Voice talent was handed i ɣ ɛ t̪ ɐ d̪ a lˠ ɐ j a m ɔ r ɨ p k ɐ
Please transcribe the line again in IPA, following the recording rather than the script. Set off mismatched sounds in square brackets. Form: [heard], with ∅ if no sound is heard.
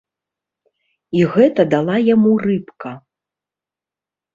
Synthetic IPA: i ɣ ɛ t̪ ɐ d̪ a lˠ [a] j a m [u] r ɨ p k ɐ